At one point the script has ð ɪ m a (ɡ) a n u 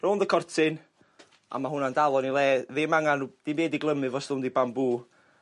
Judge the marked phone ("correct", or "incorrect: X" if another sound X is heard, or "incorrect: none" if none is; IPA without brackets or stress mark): incorrect: ŋ